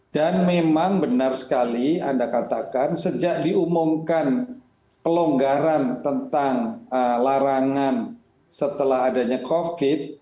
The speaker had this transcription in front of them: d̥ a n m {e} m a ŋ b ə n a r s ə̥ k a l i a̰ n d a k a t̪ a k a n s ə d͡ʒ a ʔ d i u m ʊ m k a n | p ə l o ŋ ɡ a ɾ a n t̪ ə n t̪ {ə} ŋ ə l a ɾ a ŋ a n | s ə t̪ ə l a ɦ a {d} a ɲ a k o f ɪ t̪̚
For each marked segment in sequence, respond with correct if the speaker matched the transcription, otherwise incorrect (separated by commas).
correct, incorrect, correct